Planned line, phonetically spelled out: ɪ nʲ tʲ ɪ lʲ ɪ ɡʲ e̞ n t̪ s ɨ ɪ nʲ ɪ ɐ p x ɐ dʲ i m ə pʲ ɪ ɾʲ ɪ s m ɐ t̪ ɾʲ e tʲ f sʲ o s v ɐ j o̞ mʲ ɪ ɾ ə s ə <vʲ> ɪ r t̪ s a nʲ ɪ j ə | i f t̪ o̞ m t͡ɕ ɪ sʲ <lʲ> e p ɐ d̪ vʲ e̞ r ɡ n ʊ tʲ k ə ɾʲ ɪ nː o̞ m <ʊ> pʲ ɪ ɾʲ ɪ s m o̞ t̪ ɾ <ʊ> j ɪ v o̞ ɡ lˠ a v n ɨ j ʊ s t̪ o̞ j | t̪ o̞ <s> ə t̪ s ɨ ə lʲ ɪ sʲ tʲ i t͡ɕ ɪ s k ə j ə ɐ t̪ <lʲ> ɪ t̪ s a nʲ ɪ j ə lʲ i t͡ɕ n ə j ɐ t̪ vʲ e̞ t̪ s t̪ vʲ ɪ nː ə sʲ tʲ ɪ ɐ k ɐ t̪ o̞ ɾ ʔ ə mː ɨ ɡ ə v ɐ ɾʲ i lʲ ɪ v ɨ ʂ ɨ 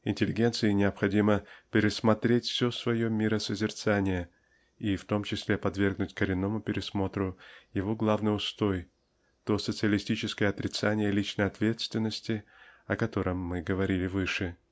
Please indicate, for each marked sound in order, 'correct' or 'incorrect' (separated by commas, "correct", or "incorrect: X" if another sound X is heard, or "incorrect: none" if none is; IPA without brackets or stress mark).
incorrect: zʲ, correct, correct, correct, correct, incorrect: ɾʲ